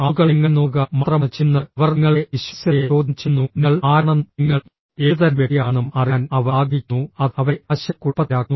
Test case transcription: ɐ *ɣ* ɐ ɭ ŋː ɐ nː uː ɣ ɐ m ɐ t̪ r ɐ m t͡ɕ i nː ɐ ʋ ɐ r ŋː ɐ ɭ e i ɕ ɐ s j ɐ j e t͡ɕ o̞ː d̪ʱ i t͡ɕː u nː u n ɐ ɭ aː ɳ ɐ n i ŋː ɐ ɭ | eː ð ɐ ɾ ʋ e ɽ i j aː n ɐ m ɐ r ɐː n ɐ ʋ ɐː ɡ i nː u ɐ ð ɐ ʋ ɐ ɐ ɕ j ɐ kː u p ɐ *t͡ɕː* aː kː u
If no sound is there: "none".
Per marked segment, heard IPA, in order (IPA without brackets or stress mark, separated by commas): ɣ, none